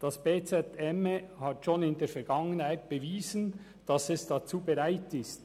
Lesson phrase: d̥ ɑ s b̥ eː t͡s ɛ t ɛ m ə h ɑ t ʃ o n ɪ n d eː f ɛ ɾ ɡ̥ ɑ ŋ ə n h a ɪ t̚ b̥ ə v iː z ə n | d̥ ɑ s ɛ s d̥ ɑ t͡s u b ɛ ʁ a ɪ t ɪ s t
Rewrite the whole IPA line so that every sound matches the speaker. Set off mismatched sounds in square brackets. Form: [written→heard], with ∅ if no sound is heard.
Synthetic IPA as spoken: d̥ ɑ s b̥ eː t͡s ɛ t ɛ m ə h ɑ t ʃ o n ɪ n d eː f ɛ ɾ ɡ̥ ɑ ŋ ə n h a ɪ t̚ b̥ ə v iː z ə n | d̥ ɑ s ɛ s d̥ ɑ t͡s [u→uː] b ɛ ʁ a ɪ t ɪ s t